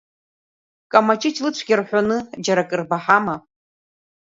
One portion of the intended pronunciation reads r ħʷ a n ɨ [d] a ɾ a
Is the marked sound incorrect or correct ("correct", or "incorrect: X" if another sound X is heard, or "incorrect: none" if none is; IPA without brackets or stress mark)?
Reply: incorrect: d͡ʒ